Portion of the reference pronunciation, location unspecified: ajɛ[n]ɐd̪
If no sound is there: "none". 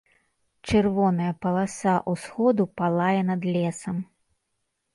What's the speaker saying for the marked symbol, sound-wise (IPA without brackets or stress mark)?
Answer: n